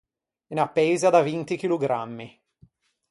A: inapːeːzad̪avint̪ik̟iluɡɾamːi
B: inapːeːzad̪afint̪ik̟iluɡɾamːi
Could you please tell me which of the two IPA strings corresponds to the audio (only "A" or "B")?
A